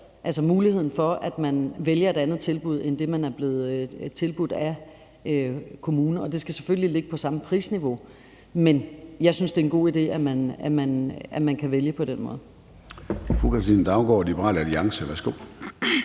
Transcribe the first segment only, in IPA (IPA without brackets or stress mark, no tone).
ʔ